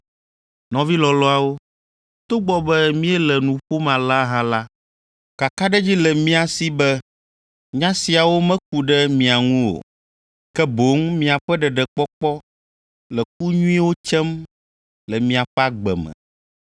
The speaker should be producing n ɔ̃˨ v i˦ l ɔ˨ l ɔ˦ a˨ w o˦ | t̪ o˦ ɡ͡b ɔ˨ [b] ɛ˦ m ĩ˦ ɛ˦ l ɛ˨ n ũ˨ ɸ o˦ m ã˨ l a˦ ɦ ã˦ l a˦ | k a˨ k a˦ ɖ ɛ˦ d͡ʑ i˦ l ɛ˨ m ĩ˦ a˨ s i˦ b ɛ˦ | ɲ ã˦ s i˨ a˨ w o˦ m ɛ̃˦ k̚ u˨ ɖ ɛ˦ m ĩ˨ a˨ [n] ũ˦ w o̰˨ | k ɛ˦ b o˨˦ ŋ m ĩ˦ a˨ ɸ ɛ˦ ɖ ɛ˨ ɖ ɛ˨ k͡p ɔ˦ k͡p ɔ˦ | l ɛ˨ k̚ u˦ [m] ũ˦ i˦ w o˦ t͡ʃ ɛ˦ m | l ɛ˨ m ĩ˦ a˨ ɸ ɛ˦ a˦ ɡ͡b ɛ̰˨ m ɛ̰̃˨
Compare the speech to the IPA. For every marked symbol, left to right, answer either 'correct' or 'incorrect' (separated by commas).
correct, incorrect, incorrect